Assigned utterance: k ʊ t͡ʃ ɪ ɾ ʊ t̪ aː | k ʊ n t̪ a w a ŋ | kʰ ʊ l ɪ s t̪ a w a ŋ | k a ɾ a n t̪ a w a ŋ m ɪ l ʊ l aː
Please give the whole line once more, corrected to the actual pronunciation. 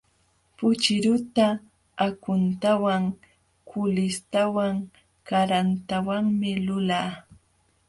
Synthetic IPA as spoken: p ʊ t͡ʃ ɪ ɾ ʊ t̪ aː | k ʊ n t̪ a w a ŋ | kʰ ʊ l ɪ s t̪ a w a ŋ | k a ɾ a n t̪ a w a ŋ m ɪ l ʊ l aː